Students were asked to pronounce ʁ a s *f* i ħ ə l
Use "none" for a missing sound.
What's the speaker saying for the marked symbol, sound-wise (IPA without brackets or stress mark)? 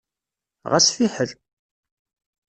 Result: f